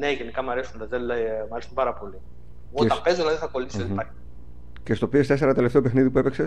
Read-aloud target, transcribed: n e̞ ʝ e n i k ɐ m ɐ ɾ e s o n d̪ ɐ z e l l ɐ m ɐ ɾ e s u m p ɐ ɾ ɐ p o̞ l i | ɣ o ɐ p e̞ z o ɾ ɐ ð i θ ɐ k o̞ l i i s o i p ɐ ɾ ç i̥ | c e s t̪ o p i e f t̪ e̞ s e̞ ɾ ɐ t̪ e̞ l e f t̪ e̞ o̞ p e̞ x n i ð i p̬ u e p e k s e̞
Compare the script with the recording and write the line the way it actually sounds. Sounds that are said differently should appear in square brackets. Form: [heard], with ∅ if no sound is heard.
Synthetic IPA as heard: n e̞ ʝ e n i k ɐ m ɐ ɾ e s [u] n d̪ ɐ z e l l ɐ m ɐ ɾ e s u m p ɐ ɾ ɐ p o̞ l i | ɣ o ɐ p e̞ z o [l] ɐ ð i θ ɐ k o̞ l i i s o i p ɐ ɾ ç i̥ | c e s t̪ o p i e [s] t̪ e̞ s e̞ ɾ ɐ t̪ e̞ l e f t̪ e̞ o̞ p e̞ x n i ð i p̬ u e p e k s e̞